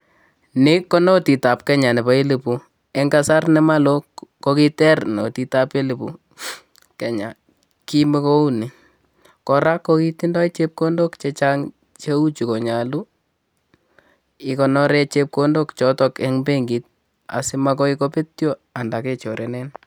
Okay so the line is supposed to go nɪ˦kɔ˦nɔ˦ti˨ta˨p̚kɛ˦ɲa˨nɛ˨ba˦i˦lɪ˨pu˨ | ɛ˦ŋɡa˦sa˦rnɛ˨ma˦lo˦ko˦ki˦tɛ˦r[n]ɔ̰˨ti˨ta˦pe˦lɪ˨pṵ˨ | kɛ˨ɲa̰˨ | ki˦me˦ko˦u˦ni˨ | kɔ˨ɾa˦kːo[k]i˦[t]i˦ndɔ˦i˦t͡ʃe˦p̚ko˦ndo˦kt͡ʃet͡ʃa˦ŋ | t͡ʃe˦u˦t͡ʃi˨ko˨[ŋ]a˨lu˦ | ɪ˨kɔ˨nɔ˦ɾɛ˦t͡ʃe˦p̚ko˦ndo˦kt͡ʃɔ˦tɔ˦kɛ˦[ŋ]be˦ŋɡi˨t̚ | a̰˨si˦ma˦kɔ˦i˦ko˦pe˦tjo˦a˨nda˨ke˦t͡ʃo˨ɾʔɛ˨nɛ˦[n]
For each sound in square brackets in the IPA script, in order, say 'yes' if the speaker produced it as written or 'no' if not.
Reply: yes, yes, yes, no, yes, yes

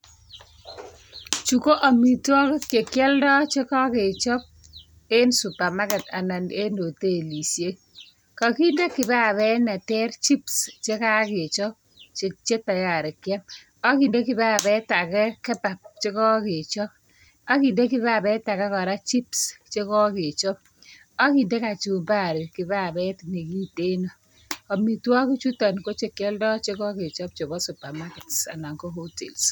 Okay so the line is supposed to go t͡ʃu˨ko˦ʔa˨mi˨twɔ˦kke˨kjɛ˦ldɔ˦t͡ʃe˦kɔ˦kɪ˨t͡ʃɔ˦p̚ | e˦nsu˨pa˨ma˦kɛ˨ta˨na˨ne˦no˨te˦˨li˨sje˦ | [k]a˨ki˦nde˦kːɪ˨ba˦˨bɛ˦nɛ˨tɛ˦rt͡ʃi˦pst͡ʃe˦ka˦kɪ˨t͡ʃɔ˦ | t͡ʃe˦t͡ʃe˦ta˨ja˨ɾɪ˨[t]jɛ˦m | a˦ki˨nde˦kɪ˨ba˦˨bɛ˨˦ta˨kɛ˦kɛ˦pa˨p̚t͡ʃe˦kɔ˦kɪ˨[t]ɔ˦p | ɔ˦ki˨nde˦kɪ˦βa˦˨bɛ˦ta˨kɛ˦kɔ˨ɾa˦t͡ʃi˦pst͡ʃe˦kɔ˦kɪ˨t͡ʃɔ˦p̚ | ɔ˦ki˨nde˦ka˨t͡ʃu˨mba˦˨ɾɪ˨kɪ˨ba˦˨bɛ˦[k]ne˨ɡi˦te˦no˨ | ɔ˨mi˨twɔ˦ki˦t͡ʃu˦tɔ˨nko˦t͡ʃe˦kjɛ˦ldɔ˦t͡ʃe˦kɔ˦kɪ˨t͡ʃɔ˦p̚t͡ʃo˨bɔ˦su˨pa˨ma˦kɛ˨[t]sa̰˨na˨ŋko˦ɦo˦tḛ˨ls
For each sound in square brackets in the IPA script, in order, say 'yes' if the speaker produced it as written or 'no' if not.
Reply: yes, no, no, no, yes

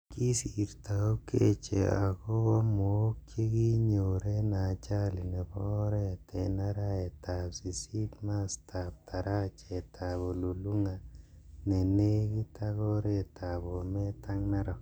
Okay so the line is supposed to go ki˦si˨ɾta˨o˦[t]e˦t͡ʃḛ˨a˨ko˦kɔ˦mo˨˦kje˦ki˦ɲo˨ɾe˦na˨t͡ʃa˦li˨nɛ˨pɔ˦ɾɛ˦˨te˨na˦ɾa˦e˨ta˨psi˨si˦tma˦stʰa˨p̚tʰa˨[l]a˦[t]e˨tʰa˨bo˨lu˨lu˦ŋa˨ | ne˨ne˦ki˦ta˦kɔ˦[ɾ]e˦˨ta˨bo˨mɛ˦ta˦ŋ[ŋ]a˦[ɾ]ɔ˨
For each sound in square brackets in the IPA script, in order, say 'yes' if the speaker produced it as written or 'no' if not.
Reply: no, no, no, yes, no, yes

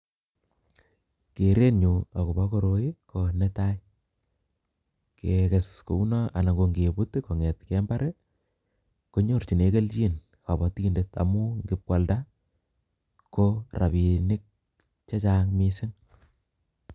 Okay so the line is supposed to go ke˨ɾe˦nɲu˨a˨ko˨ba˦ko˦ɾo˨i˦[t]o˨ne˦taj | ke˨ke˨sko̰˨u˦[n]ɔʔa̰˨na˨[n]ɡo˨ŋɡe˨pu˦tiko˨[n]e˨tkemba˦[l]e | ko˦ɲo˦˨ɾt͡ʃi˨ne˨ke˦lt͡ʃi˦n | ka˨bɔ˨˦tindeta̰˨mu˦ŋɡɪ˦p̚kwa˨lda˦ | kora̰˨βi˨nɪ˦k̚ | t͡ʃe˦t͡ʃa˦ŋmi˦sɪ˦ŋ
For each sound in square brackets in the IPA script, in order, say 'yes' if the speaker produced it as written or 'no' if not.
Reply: no, yes, no, no, no

